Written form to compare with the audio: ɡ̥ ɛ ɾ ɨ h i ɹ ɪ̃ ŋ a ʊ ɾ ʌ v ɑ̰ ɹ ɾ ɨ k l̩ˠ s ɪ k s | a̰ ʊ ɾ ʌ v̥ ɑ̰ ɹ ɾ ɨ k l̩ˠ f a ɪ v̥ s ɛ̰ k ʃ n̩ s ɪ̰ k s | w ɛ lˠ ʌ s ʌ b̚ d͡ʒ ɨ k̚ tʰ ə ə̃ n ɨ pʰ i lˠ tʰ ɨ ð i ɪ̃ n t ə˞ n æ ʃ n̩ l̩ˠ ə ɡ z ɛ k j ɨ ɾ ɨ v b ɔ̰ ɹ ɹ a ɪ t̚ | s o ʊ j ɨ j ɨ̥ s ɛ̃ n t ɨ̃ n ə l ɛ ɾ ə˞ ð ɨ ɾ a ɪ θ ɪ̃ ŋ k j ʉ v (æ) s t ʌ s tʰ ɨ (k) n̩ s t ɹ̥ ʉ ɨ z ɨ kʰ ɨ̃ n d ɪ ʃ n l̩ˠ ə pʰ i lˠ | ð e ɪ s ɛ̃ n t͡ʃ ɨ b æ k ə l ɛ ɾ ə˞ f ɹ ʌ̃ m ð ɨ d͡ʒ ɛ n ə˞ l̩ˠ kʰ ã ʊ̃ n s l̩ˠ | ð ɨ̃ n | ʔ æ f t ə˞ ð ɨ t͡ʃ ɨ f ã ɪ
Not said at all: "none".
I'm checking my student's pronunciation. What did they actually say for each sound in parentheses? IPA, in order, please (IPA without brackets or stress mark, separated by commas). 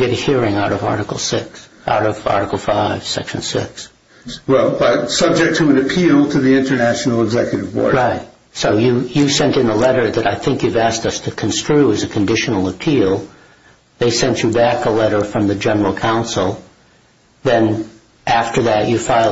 æ, kʰ